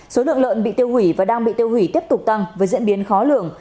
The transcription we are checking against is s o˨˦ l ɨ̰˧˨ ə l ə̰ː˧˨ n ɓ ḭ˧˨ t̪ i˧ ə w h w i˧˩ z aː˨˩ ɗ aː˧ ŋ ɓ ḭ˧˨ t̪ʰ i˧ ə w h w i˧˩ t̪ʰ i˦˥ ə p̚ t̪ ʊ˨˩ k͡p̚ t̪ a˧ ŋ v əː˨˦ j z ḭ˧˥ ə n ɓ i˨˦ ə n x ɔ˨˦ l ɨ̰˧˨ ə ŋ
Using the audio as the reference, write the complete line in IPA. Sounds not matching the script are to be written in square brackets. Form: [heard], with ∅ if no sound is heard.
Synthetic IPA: s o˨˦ l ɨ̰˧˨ ə l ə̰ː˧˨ n ɓ ḭ˧˨ t̪ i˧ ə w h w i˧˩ [v] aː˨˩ ɗ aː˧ ŋ ɓ ḭ˧˨ [t̪] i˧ ə w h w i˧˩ [t̪] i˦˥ ə p̚ t̪ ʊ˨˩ k͡p̚ t̪ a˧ ŋ v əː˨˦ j z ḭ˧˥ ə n ɓ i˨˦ ə n x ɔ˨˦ l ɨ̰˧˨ ə ŋ